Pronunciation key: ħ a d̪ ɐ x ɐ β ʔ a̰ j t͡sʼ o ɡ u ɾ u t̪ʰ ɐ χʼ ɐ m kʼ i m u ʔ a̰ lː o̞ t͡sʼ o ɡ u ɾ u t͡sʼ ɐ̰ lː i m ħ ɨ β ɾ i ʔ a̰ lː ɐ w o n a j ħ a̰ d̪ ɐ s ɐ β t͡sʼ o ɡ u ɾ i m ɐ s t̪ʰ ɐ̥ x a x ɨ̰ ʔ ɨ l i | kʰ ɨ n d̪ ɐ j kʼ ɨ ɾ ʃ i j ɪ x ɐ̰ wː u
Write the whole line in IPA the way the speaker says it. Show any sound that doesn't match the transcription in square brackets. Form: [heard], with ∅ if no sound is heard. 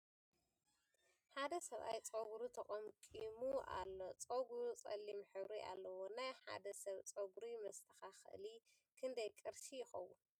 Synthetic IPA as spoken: ħ a d̪ ɐ [s] ɐ β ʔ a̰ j t͡sʼ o ɡ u ɾ u t̪ʰ ɐ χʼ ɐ m kʼ i m u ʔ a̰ lː o̞ t͡sʼ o ɡ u ɾ u t͡sʼ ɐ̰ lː i m ħ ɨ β ɾ i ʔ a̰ lː ɐ w o n a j ħ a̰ d̪ ɐ s ɐ β t͡sʼ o ɡ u ɾ i m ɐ s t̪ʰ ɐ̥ x a x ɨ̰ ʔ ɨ l i | kʰ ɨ n d̪ ɐ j kʼ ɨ ɾ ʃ i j ɪ x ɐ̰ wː u